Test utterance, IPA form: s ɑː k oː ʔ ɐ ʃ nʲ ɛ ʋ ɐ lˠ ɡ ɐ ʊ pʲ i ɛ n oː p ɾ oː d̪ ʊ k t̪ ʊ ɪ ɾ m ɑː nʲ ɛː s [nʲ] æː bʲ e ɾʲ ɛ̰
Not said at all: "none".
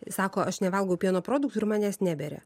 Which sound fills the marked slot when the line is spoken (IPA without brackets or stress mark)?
nʲ